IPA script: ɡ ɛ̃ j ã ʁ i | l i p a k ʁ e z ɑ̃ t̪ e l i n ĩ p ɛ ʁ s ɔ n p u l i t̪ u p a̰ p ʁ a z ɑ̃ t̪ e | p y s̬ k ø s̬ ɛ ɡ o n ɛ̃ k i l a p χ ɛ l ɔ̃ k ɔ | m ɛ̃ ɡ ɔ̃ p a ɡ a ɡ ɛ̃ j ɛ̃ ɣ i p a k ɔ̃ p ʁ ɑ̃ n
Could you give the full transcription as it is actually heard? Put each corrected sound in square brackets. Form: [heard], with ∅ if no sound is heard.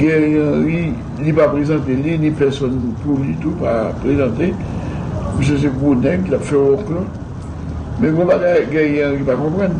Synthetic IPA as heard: ɡ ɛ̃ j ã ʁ i | l i p a [p] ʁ e z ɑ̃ t̪ e l i n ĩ p ɛ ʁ s ɔ n p u l i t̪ u p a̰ p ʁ [e] z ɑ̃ t̪ e | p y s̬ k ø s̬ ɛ ɡ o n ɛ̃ k i l a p [f] ɛ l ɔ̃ k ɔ | m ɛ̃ ɡ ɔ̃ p a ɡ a ɡ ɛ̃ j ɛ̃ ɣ i p a k ɔ̃ p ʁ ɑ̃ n